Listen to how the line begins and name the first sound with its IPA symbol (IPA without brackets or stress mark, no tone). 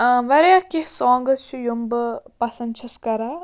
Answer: ʋ